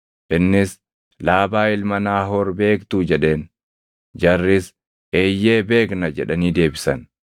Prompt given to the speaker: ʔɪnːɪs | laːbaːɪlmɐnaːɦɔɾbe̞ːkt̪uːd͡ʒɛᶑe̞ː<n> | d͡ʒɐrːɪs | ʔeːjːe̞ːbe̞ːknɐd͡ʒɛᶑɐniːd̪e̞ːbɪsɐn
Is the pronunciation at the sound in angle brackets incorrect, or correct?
correct